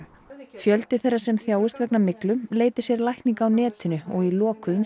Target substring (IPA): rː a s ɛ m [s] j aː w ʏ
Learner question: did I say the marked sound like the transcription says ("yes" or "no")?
no